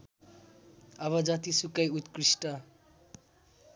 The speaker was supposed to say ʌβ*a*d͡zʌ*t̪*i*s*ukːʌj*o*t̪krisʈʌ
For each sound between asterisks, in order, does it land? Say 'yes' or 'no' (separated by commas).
no, yes, yes, no